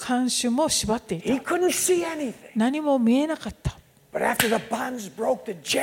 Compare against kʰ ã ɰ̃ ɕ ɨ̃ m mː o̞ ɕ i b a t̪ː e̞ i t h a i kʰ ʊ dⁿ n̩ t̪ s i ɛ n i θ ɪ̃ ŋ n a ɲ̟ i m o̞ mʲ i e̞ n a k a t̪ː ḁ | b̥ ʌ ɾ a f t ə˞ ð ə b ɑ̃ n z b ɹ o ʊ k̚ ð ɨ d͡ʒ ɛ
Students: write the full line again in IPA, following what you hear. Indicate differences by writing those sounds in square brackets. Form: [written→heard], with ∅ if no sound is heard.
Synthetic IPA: kʰ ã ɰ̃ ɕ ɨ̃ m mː o̞ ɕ i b a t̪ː e̞ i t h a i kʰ ʊ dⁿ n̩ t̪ s i ɛ n i θ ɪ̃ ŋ n a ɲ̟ i m o̞ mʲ i e̞ n a k a t̪ː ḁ | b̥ ʌ ɾ [a→æ] f t ə˞ ð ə b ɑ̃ n z b ɹ o ʊ k̚ ð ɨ d͡ʒ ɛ